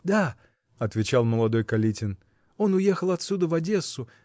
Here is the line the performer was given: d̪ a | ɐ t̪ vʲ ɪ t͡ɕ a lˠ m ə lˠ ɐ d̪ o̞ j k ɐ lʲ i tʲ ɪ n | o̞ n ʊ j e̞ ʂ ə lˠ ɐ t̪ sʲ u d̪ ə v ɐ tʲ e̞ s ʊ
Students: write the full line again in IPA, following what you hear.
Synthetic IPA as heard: d̪ a | ɐ t̪ vʲ ɪ t͡ɕ a lˠ m ə lˠ ɐ d̪ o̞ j k ɐ lʲ i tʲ ɪ n | o̞ n ʊ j e̞ x ə lˠ ɐ t̪ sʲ u d̪ ə v ɐ dʲ e̞ s ʊ